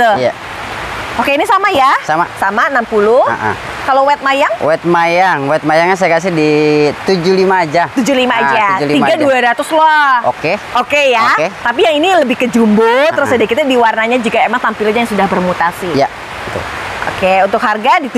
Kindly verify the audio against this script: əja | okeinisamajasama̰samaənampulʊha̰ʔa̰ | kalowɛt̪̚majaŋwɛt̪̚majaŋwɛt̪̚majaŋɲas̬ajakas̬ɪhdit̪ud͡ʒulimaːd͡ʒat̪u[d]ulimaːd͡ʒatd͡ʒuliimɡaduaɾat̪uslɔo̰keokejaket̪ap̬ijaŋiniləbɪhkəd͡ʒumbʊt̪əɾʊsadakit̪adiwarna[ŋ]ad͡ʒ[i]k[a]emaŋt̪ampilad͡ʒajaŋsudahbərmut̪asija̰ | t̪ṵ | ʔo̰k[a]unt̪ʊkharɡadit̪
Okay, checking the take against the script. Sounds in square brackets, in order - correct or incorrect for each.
incorrect: d͡ʒ, incorrect: ɲ, correct, correct, incorrect: e

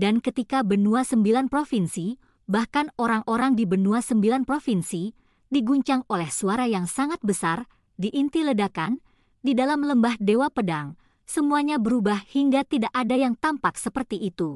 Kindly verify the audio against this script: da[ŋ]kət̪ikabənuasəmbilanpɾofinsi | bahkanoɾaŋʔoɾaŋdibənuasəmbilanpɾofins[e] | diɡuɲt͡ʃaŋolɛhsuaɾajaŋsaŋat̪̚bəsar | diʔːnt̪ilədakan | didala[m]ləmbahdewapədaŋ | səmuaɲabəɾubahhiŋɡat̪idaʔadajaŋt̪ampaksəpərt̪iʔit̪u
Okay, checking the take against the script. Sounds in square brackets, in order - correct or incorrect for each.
incorrect: n, incorrect: i, correct

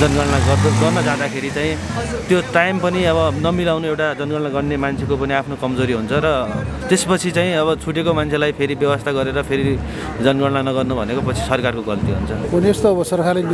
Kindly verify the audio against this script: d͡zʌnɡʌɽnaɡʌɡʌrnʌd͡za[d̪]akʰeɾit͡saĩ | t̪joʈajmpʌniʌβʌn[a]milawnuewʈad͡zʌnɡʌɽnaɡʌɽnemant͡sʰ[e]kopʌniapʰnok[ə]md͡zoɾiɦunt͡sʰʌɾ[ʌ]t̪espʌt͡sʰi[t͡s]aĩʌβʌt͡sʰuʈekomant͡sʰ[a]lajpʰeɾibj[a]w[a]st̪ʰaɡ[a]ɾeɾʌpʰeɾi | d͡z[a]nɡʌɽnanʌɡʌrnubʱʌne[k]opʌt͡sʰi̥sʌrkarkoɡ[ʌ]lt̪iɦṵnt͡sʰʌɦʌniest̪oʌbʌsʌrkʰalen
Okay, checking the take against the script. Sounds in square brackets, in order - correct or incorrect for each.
correct, incorrect: ʌ, correct, incorrect: ʌ, correct, correct, incorrect: e, incorrect: ʌ, incorrect: ʌ, incorrect: ʌ, incorrect: ʌ, correct, correct

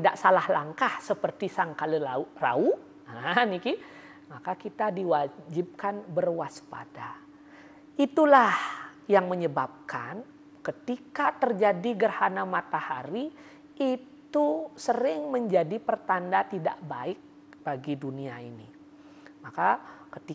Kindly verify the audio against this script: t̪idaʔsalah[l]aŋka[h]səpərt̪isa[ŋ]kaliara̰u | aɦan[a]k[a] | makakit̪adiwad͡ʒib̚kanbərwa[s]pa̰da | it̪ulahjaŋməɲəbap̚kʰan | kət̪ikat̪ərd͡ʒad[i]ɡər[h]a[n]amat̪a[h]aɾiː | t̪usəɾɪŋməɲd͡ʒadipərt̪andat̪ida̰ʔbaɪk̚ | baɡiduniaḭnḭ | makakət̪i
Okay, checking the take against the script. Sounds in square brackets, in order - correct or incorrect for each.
correct, correct, correct, incorrect: i, incorrect: i, correct, correct, correct, correct, correct

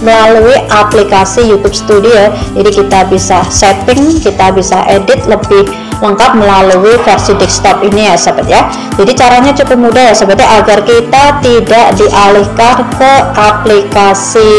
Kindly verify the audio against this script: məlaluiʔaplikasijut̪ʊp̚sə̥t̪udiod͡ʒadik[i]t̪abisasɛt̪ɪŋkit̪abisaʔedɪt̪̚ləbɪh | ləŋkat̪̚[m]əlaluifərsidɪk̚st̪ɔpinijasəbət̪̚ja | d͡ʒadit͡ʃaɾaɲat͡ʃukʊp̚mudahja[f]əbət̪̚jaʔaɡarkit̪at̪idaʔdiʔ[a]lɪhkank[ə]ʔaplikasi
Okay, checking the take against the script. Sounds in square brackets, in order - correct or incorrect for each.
correct, correct, incorrect: s, correct, correct

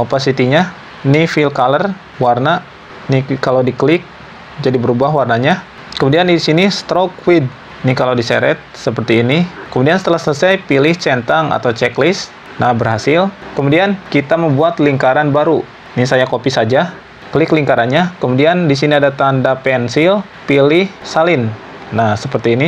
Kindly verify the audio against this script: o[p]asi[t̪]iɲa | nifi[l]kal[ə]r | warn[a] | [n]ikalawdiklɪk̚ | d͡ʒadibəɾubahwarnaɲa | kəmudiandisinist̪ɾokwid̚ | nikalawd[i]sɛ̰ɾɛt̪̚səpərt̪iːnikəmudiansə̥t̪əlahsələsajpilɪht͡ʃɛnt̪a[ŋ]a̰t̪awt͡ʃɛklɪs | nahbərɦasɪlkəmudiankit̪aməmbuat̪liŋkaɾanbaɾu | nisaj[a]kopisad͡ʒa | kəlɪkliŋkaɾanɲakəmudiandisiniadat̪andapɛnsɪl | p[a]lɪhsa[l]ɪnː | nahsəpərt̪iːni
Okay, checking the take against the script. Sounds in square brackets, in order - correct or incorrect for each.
correct, correct, correct, correct, correct, correct, correct, correct, correct, incorrect: i, correct

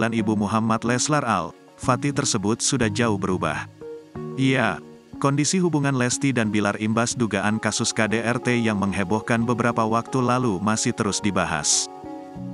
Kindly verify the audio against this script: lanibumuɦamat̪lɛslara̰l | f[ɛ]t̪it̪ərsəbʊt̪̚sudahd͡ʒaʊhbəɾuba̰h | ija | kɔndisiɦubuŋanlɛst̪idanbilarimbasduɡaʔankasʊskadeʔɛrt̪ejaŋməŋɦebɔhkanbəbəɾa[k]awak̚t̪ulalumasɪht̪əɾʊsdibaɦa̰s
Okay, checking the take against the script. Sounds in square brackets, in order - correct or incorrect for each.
incorrect: a, incorrect: p

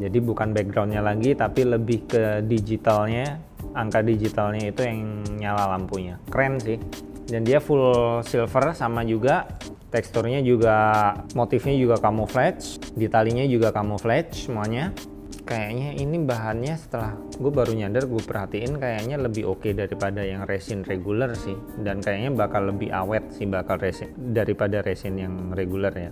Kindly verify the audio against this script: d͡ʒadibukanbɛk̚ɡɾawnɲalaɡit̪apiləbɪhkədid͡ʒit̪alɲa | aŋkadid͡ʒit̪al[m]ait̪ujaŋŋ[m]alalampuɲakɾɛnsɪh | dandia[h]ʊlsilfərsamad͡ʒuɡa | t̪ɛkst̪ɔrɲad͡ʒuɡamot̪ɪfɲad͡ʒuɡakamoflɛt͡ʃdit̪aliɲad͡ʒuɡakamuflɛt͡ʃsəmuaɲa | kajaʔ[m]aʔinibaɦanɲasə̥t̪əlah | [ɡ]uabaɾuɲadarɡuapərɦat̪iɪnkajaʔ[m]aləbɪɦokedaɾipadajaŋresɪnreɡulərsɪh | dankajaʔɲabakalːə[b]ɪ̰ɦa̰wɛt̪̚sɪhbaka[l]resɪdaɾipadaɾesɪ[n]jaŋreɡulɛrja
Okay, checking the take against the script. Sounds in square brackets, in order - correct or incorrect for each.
incorrect: ɲ, incorrect: ɲ, incorrect: f, incorrect: ɲ, correct, incorrect: ɲ, correct, correct, correct

